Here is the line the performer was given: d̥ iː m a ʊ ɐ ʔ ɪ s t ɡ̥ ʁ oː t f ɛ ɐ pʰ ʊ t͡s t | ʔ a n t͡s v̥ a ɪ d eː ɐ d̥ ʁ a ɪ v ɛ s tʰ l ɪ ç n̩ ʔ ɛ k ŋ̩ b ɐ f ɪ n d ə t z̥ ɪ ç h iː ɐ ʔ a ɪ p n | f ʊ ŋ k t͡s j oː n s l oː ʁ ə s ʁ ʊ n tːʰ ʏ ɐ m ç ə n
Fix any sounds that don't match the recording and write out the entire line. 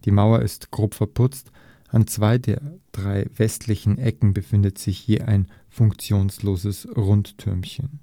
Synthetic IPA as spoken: d̥ iː m a ʊ ɐ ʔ ɪ s t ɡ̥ ʁ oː p f ɛ ɐ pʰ ʊ t͡s t | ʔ a n t͡s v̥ a ɪ d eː ɐ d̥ ʁ a ɪ v ɛ s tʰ l ɪ ç n̩ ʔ ɛ k ŋ̩ b ə f ɪ n d ə t z̥ ɪ ç h iː ɐ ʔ a ɪ n | f ʊ ŋ k t͡s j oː n s l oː z ə s ʁ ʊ n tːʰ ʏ ɐ m ç ə n